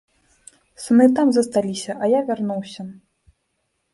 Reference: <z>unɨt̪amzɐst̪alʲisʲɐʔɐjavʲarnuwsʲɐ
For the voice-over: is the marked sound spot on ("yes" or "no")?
no